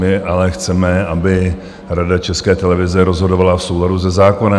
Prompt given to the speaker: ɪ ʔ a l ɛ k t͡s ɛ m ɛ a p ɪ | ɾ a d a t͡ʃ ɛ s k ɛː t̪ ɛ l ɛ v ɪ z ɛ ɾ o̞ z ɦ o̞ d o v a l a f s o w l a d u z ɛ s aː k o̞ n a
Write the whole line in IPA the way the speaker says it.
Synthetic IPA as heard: ɪ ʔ a l ɛ x t͡s ɛ m ɛ a b ɪ | ɾ a d a t͡ʃ ɛ s k ɛː t̪ ɛ l ɛ v ɪ z ɛ ɾ o̞ z ɦ o̞ d o v a l a f s o w l a d u z ɛ z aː k o̞ n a